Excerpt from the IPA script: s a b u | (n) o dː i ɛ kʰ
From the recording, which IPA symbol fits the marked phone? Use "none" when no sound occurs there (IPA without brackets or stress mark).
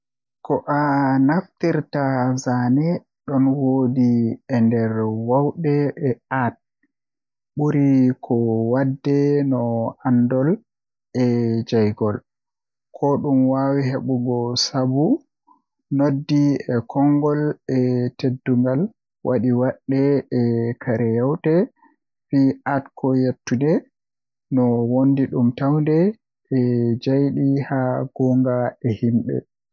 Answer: n